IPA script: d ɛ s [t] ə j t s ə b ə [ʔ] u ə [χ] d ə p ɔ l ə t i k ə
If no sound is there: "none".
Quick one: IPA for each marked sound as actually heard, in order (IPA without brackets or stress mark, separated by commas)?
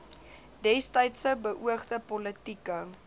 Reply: t, ʔ, χ